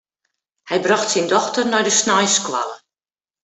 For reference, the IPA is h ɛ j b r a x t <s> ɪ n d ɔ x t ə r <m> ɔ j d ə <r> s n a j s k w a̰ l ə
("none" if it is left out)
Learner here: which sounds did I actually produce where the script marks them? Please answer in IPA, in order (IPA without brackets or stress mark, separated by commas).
s, n, none